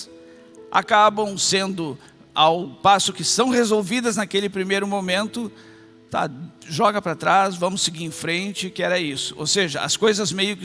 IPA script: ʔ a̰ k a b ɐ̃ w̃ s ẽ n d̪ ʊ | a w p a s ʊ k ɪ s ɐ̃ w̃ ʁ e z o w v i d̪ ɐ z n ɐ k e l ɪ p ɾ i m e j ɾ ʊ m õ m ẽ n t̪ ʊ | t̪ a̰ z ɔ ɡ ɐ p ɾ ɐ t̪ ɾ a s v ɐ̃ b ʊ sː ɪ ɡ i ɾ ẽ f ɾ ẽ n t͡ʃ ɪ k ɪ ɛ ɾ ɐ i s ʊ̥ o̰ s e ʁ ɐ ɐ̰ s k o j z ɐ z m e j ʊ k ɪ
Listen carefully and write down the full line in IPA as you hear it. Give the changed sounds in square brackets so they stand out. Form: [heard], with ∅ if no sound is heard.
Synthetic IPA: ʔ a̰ k a b ɐ̃ w̃ s ẽ n d̪ ʊ | a w p a s ʊ k ɪ s ɐ̃ w̃ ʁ e z o w v i d̪ ɐ z n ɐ k e l ɪ p ɾ i m e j ɾ ʊ m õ m ẽ n t̪ ʊ | t̪ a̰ [ʒ] ɔ ɡ ɐ p ɾ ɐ t̪ ɾ a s v ɐ̃ [m] ʊ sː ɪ ɡ i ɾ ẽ f ɾ ẽ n t͡ʃ ɪ k ɪ ɛ ɾ ɐ i s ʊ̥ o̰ s e [ʒ] ɐ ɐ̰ s k o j z ɐ z m e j ʊ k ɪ